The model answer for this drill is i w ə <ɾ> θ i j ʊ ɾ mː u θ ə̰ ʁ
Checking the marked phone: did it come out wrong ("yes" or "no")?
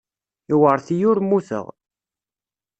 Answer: no